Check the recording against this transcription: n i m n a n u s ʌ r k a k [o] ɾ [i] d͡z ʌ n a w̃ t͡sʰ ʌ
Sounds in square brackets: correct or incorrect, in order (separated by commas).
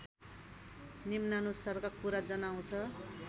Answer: incorrect, incorrect